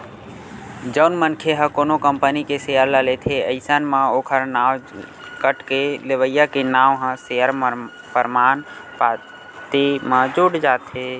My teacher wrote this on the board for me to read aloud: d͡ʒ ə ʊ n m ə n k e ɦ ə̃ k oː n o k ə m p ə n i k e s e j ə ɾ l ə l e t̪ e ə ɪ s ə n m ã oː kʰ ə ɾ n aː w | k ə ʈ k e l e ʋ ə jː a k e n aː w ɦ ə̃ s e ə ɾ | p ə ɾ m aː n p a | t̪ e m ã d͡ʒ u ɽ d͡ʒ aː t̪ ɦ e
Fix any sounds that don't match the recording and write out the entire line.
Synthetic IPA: d͡ʒ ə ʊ n m ə n kʰ e ɦ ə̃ k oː n o k ə m p ə n i k e s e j ə ɾ l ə l e t̪ʰ e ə ɪ s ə n m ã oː kʰ ə ɾ n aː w | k ə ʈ k e l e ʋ ə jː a k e n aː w ɦ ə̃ s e ə ɾ | p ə ɾ m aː n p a | t̪ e m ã d͡ʒ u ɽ d͡ʒ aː t̪ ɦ e